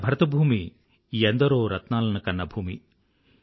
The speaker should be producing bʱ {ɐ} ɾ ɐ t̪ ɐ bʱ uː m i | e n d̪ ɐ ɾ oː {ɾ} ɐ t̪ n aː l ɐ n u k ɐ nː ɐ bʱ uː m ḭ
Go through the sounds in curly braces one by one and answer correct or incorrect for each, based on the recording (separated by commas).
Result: correct, correct